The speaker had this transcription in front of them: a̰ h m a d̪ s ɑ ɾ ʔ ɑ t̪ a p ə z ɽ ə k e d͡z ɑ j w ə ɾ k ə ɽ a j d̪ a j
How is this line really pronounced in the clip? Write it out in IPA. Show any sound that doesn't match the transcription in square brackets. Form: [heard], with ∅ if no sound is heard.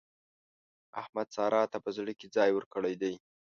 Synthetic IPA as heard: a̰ h m a d̪ s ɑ ɾ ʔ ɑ t̪ a p ə z ɽ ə k e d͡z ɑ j w ə ɾ k ə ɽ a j d̪ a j